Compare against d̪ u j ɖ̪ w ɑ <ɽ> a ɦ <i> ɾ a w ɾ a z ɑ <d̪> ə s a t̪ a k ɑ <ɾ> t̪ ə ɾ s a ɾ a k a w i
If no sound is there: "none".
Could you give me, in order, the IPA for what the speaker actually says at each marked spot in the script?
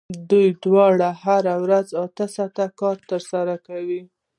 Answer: ɽ, a, t̪, ɾ

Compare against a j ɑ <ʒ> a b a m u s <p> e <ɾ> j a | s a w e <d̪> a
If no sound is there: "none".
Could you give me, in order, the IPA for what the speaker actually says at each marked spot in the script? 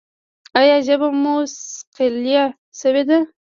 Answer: ʒ, q, l, d̪

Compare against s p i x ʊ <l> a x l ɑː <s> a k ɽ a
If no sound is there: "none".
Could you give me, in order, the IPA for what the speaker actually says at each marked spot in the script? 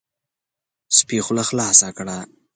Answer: l, s

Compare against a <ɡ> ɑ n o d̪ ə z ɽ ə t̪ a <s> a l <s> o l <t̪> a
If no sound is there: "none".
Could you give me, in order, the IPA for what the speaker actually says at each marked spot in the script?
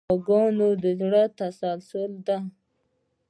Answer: ɡ, s, s, d̪

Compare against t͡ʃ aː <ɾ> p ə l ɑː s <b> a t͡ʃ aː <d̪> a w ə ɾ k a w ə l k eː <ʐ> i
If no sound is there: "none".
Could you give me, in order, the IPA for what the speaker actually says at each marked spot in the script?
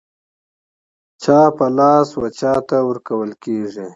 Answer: none, w, t̪, ʐ

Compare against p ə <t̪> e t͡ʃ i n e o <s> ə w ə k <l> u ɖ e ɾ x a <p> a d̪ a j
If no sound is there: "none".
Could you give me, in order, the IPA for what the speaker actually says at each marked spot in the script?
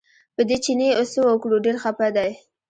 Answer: d̪, s, ɽ, p

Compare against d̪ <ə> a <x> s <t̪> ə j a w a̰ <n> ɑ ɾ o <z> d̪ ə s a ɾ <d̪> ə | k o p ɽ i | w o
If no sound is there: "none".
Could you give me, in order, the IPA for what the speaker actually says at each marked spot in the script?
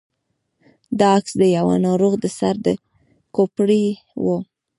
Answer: ɑ, k, d̪, n, ɣ, d̪

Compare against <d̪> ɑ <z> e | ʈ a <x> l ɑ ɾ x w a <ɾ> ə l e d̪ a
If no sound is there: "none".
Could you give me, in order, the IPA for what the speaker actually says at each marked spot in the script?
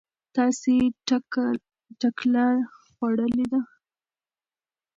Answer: t̪, s, k, ɽ

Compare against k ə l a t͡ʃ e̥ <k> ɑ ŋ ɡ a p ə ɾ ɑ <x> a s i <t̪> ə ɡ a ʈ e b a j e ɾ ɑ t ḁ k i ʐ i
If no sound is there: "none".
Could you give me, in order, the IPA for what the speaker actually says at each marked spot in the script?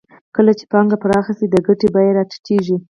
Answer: p, x, d̪

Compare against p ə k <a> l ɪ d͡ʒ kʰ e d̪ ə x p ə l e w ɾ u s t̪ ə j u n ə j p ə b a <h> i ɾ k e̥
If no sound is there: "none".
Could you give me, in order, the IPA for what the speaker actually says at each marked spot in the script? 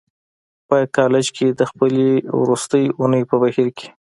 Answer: ɑ, h

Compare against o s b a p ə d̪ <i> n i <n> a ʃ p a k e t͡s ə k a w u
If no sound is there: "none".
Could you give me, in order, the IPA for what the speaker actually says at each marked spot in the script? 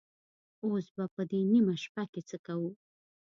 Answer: e, m

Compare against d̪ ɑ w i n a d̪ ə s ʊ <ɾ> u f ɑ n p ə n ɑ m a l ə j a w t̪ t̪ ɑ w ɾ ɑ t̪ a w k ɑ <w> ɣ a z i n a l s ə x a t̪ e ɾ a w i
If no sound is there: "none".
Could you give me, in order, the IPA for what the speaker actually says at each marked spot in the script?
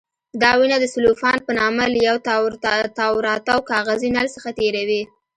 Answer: l, none

